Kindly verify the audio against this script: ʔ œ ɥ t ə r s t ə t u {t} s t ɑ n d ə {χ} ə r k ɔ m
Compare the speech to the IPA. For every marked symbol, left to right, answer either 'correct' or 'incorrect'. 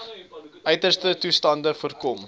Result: incorrect: none, incorrect: f

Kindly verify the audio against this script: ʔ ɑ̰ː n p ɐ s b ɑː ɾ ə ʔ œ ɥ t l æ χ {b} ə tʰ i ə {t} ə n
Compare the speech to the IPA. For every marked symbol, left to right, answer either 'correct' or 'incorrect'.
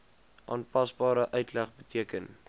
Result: correct, incorrect: k

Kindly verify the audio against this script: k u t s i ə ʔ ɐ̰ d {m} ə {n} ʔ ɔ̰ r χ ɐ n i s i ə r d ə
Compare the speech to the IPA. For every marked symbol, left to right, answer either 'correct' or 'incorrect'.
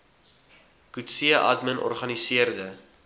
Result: correct, correct

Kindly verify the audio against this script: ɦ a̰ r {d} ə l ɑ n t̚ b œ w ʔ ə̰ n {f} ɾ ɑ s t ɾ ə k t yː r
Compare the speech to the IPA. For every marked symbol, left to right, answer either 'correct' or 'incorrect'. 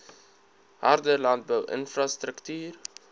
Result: correct, correct

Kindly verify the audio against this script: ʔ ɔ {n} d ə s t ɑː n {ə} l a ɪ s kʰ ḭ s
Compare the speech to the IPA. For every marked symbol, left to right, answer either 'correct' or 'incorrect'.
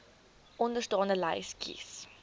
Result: correct, correct

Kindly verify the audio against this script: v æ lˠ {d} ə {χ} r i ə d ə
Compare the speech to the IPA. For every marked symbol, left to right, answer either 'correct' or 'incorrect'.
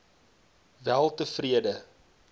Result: incorrect: t, incorrect: f

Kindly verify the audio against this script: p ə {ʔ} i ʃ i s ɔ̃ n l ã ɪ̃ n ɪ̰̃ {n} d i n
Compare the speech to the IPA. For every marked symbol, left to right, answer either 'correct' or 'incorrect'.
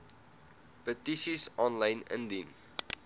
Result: incorrect: t, correct

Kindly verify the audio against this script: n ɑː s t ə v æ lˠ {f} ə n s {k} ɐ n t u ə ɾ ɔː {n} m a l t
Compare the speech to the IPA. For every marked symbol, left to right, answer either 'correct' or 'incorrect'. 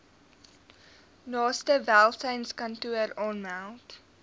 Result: incorrect: s, correct, correct

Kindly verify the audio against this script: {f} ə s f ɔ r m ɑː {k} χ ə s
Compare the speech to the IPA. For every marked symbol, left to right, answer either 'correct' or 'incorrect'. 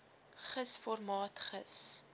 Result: incorrect: χ, incorrect: t

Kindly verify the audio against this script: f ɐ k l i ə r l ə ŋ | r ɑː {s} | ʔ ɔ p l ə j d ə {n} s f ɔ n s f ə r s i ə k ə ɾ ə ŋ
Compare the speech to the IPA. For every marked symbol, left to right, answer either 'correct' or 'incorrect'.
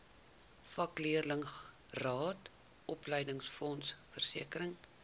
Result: incorrect: t, incorrect: ŋ

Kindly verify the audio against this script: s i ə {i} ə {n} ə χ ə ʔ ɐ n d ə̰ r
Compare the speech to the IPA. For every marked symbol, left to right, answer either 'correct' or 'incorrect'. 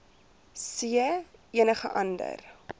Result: correct, correct

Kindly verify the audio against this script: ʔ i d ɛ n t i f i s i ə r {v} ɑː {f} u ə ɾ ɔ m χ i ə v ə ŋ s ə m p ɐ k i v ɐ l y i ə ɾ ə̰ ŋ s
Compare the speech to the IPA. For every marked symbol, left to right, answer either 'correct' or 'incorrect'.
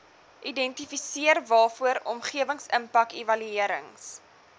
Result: correct, correct

